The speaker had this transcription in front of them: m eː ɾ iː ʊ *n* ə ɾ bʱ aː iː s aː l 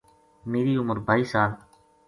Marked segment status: incorrect: m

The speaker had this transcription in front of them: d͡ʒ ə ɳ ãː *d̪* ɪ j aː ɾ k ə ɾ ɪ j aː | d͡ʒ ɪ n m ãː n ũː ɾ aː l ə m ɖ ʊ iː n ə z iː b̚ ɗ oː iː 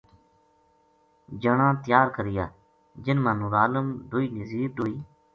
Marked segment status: incorrect: t̪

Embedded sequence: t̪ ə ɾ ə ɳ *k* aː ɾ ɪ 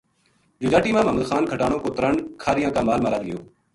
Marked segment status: incorrect: kʰ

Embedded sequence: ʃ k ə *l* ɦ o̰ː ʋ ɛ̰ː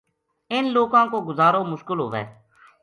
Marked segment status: correct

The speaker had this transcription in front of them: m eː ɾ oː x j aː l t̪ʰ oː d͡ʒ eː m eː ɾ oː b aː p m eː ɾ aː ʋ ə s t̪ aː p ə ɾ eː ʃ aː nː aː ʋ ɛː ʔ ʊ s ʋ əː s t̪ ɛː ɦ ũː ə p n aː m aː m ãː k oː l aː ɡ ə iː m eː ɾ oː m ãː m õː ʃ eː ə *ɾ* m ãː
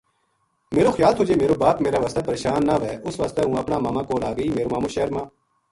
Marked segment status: correct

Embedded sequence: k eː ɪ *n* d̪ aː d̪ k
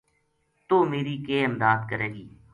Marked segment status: incorrect: m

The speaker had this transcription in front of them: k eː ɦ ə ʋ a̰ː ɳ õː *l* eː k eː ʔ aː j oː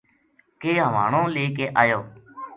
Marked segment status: correct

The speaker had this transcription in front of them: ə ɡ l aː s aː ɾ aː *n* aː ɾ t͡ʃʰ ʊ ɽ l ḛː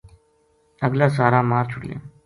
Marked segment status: incorrect: m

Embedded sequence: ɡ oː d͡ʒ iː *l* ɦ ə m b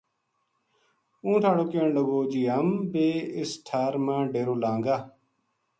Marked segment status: incorrect: none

